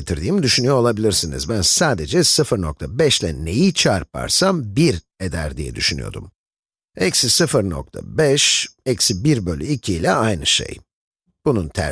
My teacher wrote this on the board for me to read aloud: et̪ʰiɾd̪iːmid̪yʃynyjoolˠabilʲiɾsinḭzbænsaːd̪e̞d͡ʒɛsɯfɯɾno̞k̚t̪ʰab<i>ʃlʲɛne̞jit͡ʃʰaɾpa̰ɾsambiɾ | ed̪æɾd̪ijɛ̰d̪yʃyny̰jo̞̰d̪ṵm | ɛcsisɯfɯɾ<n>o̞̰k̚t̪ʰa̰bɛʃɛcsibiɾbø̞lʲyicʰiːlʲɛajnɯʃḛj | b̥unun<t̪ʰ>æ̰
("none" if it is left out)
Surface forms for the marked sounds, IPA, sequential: ɛ, n, t̪ʰ

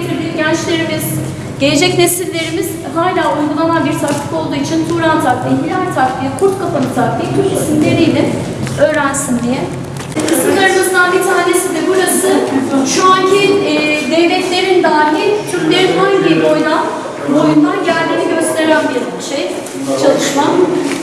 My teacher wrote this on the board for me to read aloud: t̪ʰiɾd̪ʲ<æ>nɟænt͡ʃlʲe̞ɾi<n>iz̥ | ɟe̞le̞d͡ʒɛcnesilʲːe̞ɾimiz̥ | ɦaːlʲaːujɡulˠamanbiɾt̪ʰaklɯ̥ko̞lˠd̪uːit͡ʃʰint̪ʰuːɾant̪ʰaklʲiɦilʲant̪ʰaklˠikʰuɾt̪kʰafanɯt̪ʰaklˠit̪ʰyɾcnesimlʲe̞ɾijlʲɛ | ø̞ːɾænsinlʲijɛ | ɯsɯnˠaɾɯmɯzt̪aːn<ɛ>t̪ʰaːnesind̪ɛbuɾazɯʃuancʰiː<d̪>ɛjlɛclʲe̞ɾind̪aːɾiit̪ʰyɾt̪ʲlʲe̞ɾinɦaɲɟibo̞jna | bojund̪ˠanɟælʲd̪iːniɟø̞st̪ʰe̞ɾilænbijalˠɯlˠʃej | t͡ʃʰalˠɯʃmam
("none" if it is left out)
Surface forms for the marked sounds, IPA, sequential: i, m, i, d̪

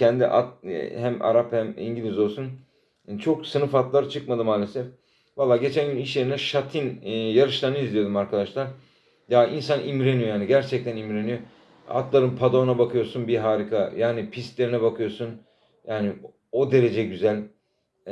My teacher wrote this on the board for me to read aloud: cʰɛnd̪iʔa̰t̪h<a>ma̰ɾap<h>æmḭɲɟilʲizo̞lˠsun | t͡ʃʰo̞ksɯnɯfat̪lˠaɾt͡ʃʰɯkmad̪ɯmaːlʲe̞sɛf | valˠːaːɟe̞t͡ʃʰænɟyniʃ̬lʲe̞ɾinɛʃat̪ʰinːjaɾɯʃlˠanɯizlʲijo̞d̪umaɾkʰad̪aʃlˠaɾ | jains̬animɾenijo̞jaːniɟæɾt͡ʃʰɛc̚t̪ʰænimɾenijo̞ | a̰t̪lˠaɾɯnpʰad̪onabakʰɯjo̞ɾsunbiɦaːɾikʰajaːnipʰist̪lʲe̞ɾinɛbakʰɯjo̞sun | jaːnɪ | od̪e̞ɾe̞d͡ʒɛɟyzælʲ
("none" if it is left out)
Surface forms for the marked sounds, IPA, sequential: æ, h

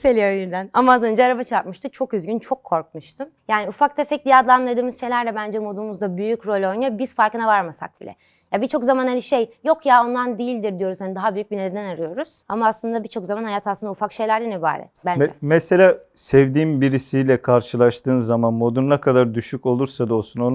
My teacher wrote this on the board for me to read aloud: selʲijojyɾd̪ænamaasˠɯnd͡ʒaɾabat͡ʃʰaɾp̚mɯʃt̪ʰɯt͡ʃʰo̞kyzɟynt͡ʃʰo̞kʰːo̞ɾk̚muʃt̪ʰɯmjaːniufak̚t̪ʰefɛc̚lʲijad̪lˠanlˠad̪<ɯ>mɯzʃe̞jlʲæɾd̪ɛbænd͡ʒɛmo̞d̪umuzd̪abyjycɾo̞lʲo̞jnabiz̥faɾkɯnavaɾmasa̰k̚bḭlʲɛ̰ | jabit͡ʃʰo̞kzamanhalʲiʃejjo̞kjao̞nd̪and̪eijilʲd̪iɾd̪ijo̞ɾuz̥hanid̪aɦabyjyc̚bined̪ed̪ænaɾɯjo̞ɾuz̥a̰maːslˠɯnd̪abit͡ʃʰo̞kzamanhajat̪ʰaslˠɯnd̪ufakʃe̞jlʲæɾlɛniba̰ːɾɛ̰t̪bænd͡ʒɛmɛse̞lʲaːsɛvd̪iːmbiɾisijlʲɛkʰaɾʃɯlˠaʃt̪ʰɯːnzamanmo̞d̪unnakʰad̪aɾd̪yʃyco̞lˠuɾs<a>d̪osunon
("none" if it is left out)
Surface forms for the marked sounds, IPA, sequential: ɯː, a

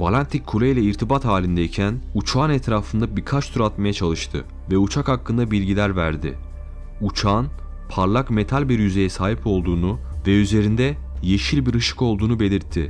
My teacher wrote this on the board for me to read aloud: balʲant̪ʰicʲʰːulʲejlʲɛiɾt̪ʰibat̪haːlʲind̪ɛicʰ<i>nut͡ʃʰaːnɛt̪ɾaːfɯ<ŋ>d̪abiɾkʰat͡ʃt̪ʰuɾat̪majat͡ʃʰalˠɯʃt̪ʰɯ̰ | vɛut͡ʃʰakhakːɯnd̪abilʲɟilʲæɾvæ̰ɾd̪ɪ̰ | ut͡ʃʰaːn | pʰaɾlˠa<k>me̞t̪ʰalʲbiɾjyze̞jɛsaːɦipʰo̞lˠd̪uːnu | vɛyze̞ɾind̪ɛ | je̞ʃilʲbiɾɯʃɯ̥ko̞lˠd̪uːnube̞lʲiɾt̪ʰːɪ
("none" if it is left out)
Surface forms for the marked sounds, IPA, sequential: æ, n, k

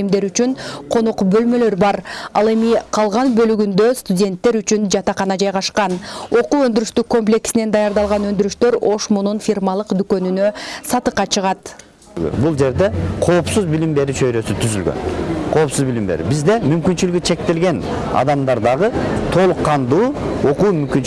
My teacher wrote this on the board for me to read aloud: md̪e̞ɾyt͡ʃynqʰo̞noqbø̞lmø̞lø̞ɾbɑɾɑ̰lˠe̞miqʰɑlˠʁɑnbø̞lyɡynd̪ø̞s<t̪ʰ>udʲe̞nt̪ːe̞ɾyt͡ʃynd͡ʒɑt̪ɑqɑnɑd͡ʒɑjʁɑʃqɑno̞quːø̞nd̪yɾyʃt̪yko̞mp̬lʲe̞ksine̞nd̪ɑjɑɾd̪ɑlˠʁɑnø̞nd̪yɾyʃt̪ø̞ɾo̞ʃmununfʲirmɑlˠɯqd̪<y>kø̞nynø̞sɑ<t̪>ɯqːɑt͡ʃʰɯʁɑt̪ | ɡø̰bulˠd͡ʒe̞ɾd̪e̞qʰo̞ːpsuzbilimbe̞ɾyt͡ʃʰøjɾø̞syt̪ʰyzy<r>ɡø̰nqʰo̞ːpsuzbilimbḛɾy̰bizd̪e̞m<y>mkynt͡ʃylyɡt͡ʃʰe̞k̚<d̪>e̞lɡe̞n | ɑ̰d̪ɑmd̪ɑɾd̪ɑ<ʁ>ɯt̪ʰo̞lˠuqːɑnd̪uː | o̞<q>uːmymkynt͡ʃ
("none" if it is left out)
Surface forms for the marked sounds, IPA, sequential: t̪, y, t̪, l, y, t̪, ʁ, q

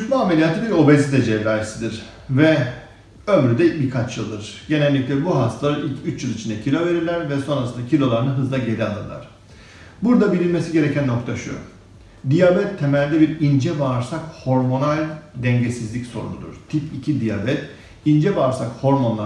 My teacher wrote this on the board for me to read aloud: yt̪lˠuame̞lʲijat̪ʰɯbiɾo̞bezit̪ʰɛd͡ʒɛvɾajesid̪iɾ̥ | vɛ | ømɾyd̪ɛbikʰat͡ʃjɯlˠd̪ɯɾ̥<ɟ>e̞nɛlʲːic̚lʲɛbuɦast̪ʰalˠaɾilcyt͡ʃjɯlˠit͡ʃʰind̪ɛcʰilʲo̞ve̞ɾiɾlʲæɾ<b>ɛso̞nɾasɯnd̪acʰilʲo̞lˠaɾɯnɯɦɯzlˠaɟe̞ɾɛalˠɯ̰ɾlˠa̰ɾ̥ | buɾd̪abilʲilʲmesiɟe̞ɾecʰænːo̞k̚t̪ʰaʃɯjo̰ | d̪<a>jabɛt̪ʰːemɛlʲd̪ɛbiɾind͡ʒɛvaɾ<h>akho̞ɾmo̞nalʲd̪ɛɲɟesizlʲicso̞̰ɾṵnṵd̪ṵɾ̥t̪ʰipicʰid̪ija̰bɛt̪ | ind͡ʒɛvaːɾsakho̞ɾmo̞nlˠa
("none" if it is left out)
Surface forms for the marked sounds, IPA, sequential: ɟ, v, i, s

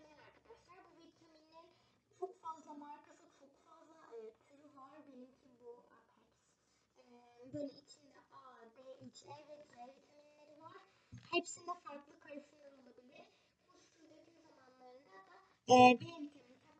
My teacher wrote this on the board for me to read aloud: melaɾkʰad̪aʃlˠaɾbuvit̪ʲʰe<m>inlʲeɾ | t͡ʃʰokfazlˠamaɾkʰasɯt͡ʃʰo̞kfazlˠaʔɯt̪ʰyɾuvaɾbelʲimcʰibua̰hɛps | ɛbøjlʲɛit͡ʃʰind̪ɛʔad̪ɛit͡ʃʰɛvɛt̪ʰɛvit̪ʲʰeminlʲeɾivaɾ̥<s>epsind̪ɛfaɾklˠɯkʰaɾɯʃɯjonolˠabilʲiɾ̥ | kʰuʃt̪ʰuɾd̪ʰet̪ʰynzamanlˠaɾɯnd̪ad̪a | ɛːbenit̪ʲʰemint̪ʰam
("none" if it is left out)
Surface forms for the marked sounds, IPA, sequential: m, h

